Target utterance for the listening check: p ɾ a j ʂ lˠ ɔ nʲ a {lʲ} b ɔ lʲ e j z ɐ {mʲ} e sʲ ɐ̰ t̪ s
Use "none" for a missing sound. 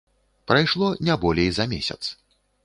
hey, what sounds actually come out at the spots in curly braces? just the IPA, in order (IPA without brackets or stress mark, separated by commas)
none, mʲ